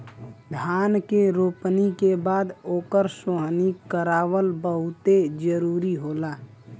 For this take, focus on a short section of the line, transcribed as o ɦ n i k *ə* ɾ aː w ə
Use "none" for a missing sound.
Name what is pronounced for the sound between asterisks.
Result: ə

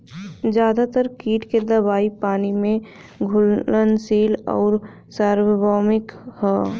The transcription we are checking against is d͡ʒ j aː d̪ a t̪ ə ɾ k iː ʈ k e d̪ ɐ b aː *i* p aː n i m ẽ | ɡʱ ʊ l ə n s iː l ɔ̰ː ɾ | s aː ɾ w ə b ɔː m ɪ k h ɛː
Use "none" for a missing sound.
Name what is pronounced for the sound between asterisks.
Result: i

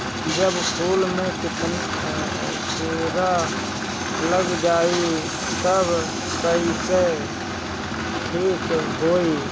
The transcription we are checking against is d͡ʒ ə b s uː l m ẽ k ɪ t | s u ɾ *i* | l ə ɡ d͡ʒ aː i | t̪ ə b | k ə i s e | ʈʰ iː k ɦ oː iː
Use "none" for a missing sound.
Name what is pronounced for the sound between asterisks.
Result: a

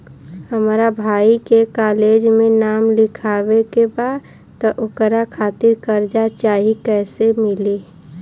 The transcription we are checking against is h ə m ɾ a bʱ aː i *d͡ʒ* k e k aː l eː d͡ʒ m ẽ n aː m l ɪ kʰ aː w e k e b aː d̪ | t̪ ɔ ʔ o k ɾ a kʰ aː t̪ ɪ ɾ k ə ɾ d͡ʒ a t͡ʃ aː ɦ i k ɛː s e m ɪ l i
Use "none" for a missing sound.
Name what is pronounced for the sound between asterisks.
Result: none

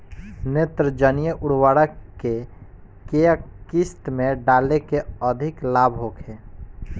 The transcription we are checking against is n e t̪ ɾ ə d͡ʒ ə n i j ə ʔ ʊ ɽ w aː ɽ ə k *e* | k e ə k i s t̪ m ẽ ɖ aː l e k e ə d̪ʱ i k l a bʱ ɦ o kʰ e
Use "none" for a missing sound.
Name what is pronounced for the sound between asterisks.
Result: e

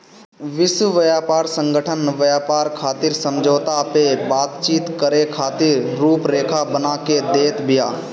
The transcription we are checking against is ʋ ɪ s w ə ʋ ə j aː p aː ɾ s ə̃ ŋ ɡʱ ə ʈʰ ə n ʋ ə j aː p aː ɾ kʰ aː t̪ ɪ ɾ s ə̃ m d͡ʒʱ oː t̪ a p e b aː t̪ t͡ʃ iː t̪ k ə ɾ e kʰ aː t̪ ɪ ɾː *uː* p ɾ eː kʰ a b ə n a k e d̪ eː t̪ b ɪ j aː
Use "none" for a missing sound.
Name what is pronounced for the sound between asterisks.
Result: uː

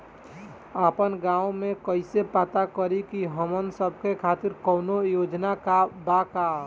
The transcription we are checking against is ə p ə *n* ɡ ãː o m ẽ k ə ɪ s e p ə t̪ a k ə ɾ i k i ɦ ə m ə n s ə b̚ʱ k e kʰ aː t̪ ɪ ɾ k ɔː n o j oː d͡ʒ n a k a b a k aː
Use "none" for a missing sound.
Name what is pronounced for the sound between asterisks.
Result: n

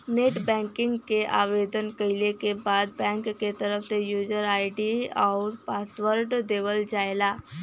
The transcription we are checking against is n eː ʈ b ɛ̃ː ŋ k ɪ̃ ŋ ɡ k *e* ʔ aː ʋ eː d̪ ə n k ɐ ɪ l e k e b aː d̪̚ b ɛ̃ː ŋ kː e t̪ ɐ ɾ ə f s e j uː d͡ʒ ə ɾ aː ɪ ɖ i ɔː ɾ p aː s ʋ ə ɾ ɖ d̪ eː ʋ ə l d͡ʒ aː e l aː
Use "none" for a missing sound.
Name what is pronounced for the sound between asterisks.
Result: e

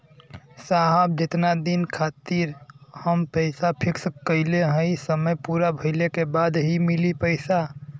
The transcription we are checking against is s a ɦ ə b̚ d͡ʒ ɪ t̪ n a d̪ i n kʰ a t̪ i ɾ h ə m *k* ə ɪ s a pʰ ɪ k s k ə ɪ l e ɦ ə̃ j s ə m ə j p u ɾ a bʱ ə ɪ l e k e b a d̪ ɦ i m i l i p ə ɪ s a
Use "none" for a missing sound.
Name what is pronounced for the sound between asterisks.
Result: p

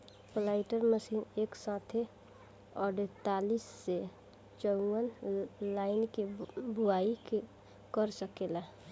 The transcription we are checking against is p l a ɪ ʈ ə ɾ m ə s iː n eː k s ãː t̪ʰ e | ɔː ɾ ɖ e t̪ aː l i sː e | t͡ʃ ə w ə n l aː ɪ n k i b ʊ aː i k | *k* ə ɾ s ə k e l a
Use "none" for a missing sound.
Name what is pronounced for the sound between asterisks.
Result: k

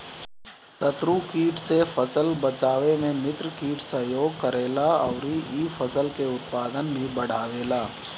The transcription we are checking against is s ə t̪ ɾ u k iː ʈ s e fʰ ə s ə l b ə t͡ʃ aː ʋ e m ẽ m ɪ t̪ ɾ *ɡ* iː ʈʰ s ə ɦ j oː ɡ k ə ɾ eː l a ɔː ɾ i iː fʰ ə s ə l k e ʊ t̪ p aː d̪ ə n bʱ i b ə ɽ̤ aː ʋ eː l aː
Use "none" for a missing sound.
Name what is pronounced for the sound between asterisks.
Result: k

